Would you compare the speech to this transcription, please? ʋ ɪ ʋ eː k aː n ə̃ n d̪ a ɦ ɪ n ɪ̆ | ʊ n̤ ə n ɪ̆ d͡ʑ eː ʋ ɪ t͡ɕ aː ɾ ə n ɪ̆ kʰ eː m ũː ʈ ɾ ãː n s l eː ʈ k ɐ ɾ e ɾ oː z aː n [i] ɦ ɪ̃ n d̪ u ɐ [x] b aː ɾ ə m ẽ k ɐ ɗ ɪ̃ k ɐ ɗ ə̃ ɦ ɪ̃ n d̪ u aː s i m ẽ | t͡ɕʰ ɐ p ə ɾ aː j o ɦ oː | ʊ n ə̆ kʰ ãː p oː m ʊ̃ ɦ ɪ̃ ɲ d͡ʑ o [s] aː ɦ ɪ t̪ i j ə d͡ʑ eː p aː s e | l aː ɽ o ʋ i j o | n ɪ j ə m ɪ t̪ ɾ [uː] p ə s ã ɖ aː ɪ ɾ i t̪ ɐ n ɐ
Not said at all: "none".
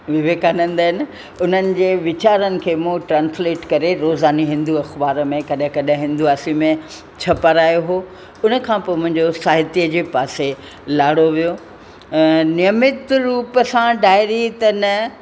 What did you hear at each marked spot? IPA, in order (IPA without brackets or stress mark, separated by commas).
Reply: i, x, s, uː